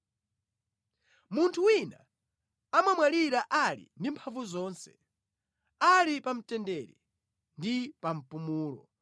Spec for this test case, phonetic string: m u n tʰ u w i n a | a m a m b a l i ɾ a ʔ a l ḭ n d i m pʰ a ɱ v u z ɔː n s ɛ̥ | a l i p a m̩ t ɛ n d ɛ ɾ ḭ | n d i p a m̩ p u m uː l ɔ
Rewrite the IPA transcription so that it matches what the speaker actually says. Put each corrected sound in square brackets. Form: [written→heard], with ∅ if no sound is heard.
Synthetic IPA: m u n tʰ u w i n a | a m a m [b→w] a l i ɾ a ʔ a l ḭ n d i m pʰ a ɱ v u z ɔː n s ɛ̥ | a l i p a m̩ t ɛ n d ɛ ɾ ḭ | n d i p a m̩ p u m uː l ɔ